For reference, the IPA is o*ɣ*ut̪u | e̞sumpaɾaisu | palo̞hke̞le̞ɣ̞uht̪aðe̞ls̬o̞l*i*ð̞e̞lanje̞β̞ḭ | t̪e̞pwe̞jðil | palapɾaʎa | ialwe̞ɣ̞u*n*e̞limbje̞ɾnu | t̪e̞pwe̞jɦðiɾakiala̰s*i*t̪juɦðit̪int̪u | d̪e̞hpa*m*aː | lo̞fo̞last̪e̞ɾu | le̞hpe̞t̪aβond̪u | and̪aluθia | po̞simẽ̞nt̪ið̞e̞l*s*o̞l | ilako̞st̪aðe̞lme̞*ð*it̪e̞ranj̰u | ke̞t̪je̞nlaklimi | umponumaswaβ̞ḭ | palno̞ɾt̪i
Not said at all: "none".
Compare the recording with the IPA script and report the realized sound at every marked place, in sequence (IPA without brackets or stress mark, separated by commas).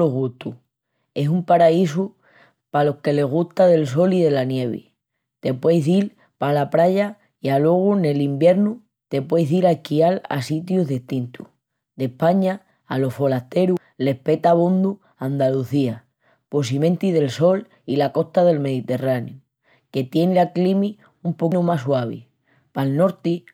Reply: ɣ, i, n, i, ɲ, s, ð